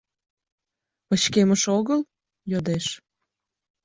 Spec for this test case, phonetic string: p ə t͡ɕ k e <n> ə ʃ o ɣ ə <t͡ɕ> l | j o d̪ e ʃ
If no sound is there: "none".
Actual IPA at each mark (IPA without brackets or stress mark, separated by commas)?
m, none